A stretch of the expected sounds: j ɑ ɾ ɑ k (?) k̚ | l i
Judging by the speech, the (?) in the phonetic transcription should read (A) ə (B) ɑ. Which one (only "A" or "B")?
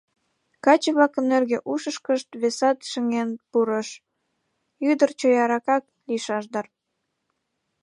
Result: B